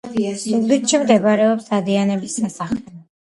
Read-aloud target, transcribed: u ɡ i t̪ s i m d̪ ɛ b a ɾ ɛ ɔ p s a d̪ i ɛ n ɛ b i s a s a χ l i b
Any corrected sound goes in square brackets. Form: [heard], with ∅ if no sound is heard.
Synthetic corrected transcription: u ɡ i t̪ [ʃ] i m d̪ ɛ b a ɾ ɛ ɔ p s a d̪ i [a] n ɛ b i s a s a χ l [ɛ] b